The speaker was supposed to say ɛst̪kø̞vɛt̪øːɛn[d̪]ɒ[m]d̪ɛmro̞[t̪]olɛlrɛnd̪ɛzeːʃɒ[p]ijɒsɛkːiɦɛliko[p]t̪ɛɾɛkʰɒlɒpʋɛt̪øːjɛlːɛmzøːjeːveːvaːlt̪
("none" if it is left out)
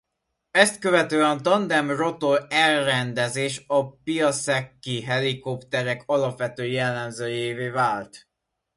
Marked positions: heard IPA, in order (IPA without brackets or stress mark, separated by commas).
t̪, n, t̪, p, p